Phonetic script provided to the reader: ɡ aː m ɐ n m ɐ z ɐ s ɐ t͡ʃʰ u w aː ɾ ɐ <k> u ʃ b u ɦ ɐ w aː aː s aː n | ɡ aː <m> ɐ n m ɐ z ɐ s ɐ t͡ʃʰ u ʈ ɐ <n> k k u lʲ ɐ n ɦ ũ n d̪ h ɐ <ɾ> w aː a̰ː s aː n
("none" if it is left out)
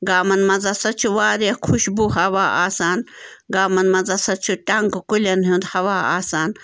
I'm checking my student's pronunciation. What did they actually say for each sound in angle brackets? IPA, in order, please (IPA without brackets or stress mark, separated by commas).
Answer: kʰ, m, ŋ, none